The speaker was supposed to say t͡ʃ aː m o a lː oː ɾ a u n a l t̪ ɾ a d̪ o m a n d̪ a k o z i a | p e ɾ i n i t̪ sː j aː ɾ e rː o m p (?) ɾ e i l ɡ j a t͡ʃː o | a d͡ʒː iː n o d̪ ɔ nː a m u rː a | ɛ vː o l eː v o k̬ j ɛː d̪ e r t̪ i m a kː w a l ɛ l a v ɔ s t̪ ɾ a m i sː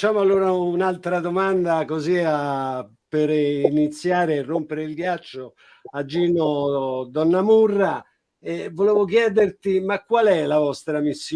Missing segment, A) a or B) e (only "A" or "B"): B